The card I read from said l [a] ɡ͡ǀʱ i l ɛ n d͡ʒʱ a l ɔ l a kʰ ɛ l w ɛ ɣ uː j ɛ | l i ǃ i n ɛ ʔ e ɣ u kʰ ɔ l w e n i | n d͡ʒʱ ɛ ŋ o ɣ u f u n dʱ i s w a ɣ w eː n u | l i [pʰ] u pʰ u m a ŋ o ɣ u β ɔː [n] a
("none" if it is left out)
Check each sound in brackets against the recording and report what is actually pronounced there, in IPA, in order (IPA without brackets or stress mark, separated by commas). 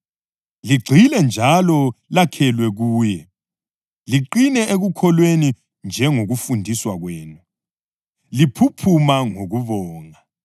i, pʰ, ŋ